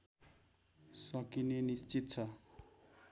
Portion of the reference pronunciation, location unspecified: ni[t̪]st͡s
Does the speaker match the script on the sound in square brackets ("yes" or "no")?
no